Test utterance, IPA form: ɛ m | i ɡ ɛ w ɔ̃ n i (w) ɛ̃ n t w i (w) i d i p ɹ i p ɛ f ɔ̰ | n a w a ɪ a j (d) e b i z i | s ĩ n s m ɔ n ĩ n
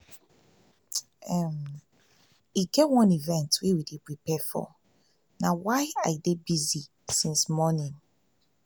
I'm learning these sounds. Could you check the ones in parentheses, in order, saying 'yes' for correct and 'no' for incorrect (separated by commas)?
no, yes, yes